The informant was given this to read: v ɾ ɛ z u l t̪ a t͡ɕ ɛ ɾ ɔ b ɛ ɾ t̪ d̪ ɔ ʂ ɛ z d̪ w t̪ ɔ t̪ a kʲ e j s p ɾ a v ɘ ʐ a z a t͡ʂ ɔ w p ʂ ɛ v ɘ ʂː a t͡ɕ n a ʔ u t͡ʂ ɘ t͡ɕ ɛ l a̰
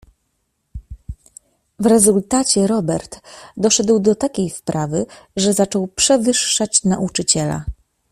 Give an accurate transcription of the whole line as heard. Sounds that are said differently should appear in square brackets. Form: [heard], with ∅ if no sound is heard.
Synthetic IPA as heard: v ɾ ɛ z u l t̪ a t͡ɕ ɛ ɾ ɔ b ɛ ɾ t̪ d̪ ɔ ʂ ɛ [∅] d̪ w [d̪] ɔ t̪ a kʲ e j s p ɾ a v ɘ ʐ [ɛ] z a t͡ʂ ɔ w p ʂ ɛ v ɘ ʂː a t͡ɕ n a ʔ u t͡ʂ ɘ t͡ɕ ɛ l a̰